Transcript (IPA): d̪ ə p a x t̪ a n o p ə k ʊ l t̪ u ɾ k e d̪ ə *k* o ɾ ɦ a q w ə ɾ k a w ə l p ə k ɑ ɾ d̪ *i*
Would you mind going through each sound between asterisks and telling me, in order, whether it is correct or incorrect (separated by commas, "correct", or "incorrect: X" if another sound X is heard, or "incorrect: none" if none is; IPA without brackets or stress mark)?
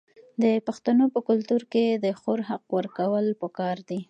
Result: incorrect: x, correct